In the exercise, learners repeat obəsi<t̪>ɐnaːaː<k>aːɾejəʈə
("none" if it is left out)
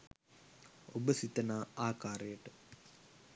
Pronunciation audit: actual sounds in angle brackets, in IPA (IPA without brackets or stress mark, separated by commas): t̪, k